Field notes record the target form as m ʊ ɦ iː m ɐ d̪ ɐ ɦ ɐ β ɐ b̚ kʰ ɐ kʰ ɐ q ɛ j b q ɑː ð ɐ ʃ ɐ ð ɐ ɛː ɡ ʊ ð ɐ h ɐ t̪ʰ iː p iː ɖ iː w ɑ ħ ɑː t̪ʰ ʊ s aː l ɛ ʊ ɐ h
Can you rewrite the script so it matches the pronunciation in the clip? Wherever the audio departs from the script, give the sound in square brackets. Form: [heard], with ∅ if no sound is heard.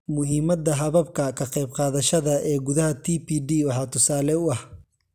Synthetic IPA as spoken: m ʊ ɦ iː m ɐ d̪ ɐ ɦ ɐ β ɐ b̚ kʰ ɐ kʰ ɐ q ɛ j b q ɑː ð ɐ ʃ ɐ ð ɐ ɛː ɡ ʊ ð ɐ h ɐ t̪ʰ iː p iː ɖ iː w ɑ ħ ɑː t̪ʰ ʊ s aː l ɛ ʊ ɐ h